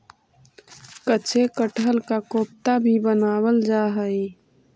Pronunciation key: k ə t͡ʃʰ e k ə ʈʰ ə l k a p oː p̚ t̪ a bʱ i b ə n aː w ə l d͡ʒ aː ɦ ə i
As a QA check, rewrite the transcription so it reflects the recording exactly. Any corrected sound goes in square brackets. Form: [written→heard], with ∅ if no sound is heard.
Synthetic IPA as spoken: k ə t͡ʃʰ e k ə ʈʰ ə l k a [p→k] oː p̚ t̪ a bʱ i b ə n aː w ə l d͡ʒ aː ɦ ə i

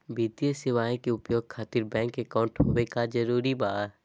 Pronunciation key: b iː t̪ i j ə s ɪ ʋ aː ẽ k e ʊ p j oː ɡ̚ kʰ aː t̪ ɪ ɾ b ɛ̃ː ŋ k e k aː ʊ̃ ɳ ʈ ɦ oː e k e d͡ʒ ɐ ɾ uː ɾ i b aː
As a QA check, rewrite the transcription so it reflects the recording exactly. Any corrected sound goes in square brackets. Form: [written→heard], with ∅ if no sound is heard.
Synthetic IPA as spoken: b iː t̪ i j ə s ɪ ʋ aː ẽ k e ʊ p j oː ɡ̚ kʰ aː t̪ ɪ ɾ b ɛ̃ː ŋ k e k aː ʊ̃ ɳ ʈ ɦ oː e k [e→a] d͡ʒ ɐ ɾ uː ɾ i b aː

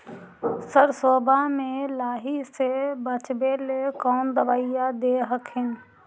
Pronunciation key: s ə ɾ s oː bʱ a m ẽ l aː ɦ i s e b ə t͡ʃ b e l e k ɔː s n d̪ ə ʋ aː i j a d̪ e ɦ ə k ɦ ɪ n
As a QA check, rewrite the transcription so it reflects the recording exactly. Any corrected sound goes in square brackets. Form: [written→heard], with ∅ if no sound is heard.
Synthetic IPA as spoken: s ə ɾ s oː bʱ a m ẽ l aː ɦ i s e b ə t͡ʃ b e l e k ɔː [s→∅] n d̪ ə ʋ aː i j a d̪ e ɦ ə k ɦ ɪ n

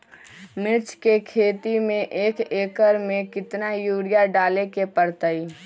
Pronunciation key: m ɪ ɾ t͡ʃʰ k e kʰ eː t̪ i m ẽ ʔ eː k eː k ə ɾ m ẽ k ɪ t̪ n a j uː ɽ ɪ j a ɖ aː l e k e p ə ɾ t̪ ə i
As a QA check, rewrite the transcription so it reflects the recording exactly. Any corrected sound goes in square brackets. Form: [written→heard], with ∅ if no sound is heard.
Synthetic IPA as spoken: m ɪ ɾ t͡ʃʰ k e kʰ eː t̪ i m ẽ ʔ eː k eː k ə ɾ m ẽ k ɪ t̪ n a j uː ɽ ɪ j a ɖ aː l e k e p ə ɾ t̪ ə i

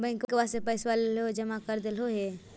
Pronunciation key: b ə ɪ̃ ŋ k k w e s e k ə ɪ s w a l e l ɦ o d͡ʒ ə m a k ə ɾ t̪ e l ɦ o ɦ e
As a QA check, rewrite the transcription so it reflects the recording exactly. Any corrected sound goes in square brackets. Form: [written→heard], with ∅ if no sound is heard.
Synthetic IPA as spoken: b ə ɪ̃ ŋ k k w [e→a] s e [k→p] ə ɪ s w a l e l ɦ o d͡ʒ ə m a k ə ɾ [t̪→d̪] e l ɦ o ɦ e

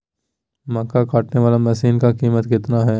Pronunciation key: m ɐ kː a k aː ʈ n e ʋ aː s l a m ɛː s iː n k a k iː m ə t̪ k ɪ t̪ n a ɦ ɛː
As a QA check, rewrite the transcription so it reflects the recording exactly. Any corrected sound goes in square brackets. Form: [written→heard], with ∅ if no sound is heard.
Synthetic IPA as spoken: m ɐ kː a k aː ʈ n e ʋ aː [s→∅] l a m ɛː s iː n k a k iː m ə t̪ k ɪ t̪ n a ɦ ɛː

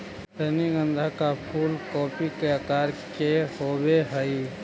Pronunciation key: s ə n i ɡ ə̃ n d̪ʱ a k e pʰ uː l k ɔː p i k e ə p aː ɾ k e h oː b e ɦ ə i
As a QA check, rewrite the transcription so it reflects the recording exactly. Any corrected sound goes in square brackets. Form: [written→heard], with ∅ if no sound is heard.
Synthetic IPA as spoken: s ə n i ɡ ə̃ n d̪ʱ a k [e→a] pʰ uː l k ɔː p i k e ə [p→k] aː ɾ k e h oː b e ɦ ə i

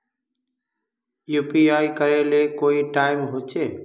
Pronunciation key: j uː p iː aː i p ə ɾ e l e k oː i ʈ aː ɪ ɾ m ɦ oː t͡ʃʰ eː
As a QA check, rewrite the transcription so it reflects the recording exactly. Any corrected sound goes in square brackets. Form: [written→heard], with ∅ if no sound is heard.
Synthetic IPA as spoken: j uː p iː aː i [p→k] ə ɾ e l e k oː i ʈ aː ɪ [ɾ→∅] m ɦ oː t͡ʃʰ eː

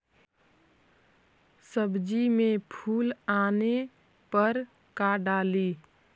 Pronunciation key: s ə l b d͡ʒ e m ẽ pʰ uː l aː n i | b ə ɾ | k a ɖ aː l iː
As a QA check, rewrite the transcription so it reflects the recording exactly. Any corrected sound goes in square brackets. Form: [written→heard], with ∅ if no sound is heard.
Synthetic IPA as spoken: s ə [l→∅] b d͡ʒ [e→i] m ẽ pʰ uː l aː n [i→e] | [b→p] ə ɾ | k a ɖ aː l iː

